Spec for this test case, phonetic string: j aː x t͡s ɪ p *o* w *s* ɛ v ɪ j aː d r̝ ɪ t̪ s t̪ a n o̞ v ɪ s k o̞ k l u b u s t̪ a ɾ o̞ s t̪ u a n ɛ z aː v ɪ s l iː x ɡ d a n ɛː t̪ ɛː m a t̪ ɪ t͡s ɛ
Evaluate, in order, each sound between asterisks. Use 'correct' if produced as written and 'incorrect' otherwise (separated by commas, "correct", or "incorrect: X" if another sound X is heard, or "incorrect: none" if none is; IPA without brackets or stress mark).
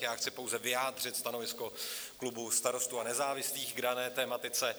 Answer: correct, incorrect: z